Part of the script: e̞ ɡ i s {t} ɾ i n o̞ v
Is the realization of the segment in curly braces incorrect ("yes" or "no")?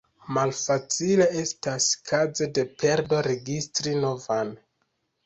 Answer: no